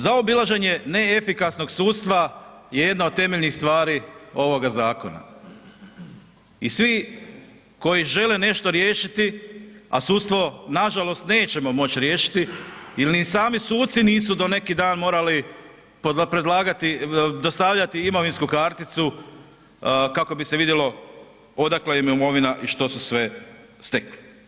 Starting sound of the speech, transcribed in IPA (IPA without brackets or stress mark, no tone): z